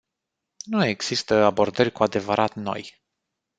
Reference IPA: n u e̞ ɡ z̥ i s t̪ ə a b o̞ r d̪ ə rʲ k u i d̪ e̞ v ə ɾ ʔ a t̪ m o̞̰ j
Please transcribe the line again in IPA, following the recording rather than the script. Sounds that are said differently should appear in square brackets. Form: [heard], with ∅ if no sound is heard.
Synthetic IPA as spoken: n u e̞ ɡ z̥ i s t̪ ə a b o̞ r d̪ ə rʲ k u [a] d̪ e̞ v ə ɾ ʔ a t̪ [n] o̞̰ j

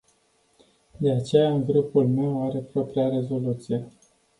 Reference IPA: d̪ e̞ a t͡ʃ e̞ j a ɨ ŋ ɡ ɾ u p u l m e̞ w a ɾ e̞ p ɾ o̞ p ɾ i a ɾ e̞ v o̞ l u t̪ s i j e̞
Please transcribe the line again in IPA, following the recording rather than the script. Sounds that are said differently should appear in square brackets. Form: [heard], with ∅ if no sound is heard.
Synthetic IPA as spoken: d̪ e̞ a t͡ʃ e̞ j a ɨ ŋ ɡ ɾ u p u l m e̞ w a ɾ e̞ p ɾ o̞ p ɾ i a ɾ e̞ [z] o̞ l u t̪ s i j e̞

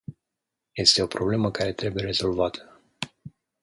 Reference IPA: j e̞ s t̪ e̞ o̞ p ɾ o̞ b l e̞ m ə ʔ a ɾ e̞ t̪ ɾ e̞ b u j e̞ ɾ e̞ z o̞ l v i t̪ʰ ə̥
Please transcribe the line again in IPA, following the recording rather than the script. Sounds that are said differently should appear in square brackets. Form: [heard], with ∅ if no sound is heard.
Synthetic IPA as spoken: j e̞ s t̪ e̞ o̞ p ɾ o̞ b l e̞ m ə [k] a ɾ e̞ t̪ ɾ e̞ b u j e̞ ɾ e̞ z o̞ l v [a] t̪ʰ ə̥

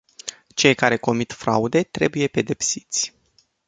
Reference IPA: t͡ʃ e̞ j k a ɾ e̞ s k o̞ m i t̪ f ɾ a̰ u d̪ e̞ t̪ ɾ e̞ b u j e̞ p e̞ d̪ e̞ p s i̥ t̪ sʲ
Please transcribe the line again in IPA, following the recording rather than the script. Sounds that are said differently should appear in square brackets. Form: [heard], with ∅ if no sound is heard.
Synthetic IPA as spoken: t͡ʃ e̞ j k a ɾ e̞ [∅] k o̞ m i t̪ f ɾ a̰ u d̪ e̞ t̪ ɾ e̞ b u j e̞ p e̞ d̪ e̞ p s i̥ t̪ sʲ

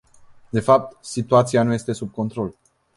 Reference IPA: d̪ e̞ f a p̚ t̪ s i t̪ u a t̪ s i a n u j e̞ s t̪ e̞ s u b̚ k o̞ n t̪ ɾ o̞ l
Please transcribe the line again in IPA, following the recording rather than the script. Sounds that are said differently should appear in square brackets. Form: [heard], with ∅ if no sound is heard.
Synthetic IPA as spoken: d̪ e̞ f a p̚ t̪ s i t̪ u a t̪ s i a n u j e̞ s t̪ e̞ s u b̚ k o̞ n t̪ ɾ o̞ l

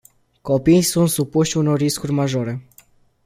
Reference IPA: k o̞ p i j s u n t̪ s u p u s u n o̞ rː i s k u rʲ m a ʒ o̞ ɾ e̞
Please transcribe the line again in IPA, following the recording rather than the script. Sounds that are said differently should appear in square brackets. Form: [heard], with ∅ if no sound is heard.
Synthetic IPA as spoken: k o̞ p i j s u n t̪ s u p u [ʃ] u n o̞ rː i s k u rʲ m a ʒ o̞ ɾ e̞

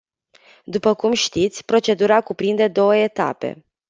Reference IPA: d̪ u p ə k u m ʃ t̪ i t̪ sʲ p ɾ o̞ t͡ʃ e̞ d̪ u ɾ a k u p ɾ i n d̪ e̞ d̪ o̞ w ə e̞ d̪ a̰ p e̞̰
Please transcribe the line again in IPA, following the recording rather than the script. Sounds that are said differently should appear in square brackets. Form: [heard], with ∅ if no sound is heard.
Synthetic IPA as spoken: d̪ u p ə k u m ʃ t̪ i t̪ sʲ p ɾ o̞ t͡ʃ e̞ d̪ u ɾ a k u p ɾ i n d̪ e̞ d̪ o̞ w ə e̞ [t̪] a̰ p e̞̰

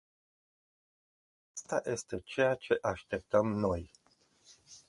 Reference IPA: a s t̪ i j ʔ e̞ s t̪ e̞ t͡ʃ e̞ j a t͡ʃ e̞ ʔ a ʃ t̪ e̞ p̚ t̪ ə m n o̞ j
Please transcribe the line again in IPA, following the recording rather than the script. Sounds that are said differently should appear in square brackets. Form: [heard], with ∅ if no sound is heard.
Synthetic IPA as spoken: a s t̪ [a] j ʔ e̞ s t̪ e̞ t͡ʃ e̞ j a t͡ʃ e̞ ʔ a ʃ t̪ e̞ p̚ t̪ ə m n o̞ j

